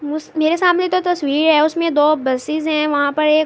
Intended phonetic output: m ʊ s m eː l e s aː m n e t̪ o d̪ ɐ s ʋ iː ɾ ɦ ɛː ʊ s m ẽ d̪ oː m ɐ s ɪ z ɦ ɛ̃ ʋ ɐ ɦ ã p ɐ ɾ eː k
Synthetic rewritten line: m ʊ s m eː ɾ e s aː m n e t̪ o t̪ ɐ s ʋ iː ɾ ɦ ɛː ʊ s m ẽ d̪ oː b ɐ s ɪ z ɦ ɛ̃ ʋ ɐ ɦ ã p ɐ ɾ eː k